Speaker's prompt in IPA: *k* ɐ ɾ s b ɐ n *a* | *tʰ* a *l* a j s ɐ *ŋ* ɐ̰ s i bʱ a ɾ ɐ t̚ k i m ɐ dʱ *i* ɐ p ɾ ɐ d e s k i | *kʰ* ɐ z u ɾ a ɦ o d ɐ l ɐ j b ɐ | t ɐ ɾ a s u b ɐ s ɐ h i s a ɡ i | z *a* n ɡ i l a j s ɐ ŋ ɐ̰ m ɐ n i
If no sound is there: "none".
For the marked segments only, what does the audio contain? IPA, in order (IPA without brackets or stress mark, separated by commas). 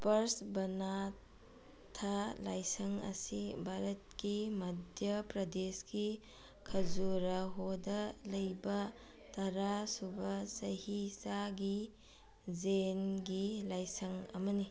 p, a, tʰ, l, ŋ, j, kʰ, e